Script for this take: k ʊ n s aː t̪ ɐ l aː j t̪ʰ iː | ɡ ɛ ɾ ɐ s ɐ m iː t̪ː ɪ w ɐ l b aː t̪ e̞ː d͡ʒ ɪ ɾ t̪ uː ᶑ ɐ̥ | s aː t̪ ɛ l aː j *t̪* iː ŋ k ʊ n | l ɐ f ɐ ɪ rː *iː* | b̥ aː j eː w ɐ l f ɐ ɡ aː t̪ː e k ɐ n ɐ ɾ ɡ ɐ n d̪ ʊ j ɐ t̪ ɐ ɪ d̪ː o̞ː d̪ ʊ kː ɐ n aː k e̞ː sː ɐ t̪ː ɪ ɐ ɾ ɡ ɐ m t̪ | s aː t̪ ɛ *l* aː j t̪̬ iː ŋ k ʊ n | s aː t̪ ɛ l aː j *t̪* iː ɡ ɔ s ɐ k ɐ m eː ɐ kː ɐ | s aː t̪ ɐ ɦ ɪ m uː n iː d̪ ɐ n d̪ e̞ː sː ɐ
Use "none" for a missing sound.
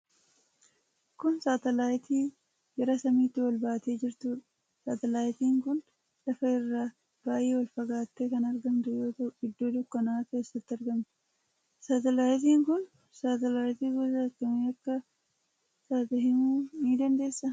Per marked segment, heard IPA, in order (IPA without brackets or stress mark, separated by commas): t̪, aː, l, t̪